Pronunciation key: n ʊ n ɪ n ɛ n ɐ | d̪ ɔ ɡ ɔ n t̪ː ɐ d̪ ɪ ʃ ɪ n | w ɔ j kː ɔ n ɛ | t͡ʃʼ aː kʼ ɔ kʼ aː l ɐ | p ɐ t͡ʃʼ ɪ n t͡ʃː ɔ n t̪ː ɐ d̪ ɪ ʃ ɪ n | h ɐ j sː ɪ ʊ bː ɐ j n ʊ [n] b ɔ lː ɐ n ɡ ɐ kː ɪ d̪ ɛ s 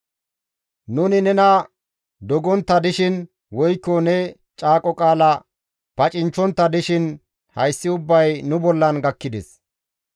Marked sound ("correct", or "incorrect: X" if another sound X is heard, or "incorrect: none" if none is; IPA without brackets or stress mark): incorrect: none